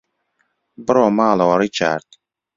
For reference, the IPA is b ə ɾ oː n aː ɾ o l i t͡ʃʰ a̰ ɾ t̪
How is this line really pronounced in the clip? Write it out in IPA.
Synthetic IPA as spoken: b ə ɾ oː m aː l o ɾ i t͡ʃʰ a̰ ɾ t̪